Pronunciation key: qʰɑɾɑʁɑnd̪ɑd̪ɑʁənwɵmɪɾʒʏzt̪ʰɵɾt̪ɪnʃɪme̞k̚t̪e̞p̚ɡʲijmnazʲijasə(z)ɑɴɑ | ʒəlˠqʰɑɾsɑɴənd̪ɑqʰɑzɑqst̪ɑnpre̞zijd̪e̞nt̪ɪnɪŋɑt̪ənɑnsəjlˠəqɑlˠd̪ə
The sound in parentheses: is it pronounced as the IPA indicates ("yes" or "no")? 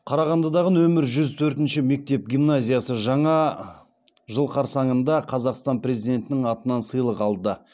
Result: no